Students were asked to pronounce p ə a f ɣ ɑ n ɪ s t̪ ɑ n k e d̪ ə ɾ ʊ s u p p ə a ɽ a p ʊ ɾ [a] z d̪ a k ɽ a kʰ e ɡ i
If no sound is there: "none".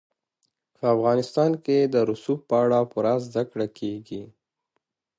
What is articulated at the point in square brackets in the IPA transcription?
a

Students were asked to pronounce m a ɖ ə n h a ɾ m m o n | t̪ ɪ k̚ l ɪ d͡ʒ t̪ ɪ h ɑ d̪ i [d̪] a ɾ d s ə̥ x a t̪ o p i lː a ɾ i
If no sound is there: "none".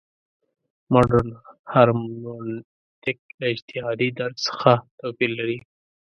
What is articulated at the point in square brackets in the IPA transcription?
d̪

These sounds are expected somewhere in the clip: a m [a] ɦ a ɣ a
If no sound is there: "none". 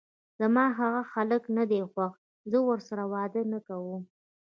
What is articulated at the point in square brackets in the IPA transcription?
ɑ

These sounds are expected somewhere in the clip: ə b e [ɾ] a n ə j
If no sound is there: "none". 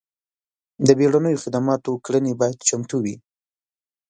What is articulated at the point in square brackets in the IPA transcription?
ɽ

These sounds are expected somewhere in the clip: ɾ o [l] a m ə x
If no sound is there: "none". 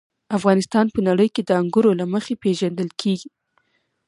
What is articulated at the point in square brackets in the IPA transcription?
l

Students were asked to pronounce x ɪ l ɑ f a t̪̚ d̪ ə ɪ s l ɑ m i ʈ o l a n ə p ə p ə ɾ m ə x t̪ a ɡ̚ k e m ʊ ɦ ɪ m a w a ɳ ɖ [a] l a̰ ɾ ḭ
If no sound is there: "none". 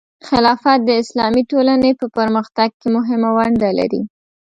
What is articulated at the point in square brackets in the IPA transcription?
a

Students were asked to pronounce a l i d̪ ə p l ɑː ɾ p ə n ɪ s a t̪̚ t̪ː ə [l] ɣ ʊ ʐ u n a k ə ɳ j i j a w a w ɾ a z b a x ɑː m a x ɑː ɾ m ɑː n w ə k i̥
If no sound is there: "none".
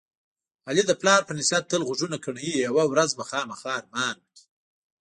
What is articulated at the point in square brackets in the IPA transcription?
l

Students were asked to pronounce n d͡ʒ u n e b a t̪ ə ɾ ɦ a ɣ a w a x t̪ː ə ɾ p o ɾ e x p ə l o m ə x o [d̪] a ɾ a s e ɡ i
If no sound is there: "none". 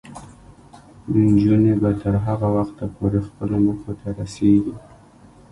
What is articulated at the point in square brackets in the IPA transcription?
t̪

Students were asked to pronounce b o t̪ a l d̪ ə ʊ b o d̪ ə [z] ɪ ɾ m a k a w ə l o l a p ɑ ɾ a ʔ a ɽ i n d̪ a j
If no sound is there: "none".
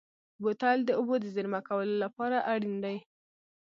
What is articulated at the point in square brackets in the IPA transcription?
z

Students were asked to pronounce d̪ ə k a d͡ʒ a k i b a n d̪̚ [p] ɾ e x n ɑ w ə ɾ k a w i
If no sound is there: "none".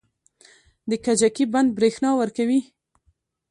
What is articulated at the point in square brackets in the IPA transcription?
b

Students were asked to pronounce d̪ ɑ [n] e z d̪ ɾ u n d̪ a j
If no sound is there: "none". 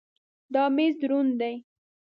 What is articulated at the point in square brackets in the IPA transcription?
m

